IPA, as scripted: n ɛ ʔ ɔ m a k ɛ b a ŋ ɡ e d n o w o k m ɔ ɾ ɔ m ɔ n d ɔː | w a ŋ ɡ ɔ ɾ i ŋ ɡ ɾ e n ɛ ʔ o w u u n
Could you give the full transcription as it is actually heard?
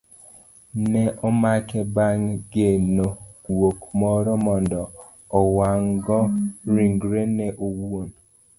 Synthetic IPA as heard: n ɛ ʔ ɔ m a k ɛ b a ŋ ɡ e n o w o k m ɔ ɾ ɔ m ɔ n d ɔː | w a ŋ ɡ ɔ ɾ i ŋ ɡ ɾ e n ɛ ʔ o w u o n